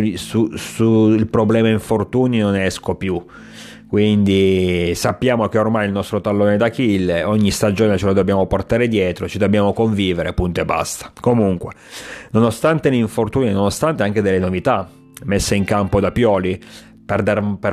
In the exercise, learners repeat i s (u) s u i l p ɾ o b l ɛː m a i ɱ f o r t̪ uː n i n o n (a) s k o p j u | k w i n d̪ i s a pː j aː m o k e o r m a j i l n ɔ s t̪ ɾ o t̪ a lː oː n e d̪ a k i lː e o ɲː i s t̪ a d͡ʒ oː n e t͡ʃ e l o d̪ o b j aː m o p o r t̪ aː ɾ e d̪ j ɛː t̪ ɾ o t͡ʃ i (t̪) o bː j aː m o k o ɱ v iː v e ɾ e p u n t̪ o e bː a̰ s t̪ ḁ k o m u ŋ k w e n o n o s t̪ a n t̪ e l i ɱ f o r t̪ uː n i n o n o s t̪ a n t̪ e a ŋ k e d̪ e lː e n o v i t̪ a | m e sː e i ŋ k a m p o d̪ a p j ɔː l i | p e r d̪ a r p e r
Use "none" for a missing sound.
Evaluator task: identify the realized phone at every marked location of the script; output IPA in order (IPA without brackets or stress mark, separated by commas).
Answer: u, ɛ, d̪